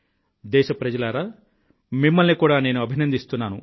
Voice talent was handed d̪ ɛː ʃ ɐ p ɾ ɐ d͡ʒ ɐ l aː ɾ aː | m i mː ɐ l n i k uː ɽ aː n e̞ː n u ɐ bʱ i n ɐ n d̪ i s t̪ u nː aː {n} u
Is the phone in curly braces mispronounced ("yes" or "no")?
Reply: no